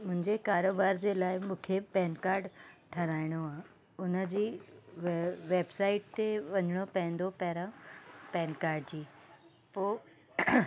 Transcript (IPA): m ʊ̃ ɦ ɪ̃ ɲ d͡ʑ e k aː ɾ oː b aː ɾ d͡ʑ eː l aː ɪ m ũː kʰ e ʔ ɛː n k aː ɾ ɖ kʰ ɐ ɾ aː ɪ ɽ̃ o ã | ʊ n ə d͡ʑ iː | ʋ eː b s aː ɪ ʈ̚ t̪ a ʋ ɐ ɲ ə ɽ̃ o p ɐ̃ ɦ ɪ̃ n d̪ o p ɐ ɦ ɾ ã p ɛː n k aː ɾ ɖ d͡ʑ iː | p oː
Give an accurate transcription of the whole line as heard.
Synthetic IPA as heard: m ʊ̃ ɦ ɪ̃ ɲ d͡ʑ e k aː ɾ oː b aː ɾ d͡ʑ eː l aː ɪ m ũː kʰ e p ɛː n k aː ɾ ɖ ʈʰ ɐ ɾ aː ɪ ɽ̃ o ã | ʊ n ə d͡ʑ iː | ʋ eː b s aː ɪ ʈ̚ t̪ e ʋ ɐ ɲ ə ɽ̃ o p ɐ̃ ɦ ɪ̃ n d̪ o p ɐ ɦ ɾ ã p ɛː n k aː ɾ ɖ d͡ʑ iː | p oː